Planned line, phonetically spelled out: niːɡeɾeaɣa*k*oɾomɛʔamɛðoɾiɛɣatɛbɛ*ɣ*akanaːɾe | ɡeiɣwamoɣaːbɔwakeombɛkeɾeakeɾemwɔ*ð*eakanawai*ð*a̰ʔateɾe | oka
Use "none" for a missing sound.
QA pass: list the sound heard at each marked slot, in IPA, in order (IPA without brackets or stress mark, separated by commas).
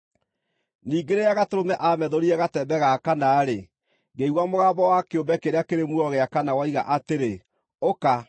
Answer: t, ɣ, ɣ, ɣ